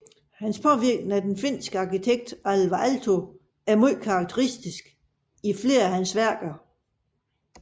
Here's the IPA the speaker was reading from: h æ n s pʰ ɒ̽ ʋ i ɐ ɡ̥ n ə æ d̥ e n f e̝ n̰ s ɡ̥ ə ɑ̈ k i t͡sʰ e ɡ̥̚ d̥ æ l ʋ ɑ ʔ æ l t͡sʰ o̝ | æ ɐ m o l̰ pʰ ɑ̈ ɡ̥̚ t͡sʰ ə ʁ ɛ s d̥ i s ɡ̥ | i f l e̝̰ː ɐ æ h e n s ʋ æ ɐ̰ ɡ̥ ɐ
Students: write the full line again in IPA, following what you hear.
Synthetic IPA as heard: h æ n s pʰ ɒ̽ ʋ i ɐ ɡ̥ n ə æ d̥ e n f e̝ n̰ s ɡ̥ ə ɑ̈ k i t͡sʰ e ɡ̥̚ d̥ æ l ʋ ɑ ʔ æ l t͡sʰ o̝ | æ ɐ m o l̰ kʰ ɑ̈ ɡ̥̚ t͡sʰ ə ʁ i s d̥ i s ɡ̥ | i f l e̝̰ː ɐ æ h æ n s ʋ æ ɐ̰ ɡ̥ ɐ